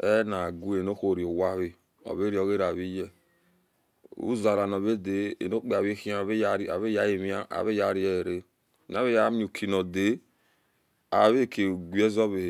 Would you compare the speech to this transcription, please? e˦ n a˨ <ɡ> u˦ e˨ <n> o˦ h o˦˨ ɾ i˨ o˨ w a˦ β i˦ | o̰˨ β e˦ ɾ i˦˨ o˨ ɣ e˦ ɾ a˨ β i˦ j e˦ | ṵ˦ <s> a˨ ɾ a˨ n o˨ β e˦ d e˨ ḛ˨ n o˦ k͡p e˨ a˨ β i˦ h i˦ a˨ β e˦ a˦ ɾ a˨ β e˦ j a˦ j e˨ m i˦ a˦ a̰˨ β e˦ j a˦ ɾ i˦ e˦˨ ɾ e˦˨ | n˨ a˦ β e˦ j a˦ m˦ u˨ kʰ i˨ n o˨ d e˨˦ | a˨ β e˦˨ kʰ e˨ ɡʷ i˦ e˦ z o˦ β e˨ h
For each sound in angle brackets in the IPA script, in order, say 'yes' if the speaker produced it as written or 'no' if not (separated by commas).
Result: yes, yes, no